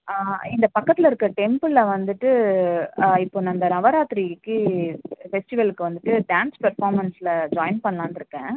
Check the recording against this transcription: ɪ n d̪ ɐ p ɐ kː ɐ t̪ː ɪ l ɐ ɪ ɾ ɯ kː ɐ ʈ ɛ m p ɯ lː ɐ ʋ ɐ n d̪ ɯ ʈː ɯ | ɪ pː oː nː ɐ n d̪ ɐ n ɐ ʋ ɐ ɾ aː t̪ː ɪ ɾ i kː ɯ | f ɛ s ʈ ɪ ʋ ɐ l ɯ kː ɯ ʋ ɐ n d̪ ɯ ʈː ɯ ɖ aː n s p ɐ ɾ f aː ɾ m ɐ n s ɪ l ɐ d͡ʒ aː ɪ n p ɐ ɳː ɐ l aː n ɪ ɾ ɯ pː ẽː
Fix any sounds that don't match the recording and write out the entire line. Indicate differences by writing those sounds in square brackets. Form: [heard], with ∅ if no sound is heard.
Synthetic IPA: ɪ n d̪ ɐ p ɐ kː ɐ t̪ː ɪ l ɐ ɪ ɾ ɯ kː ɐ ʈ ɛ m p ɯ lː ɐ ʋ ɐ n d̪ ɯ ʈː ɯ | ɪ pː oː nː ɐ n d̪ ɐ n ɐ ʋ ɐ ɾ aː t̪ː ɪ ɾ i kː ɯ | f ɛ s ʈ ɪ ʋ ɐ l ɯ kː ɯ ʋ ɐ n d̪ ɯ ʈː ɯ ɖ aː n s p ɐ ɾ f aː ɾ m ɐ n s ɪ l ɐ d͡ʒ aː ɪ n p ɐ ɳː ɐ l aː n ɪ ɾ ɯ [kː] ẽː